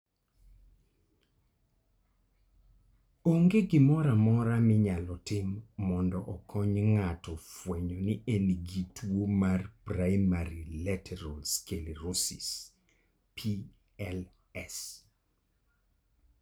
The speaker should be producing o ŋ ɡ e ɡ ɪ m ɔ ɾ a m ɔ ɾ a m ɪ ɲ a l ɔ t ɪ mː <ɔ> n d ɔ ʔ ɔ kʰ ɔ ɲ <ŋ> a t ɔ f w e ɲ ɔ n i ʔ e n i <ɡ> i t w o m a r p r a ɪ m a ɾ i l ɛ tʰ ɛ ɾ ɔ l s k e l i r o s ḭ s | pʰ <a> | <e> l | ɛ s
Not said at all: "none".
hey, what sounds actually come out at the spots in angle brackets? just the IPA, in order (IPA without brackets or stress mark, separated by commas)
ɔ, ŋ, ɡ, i, ɛ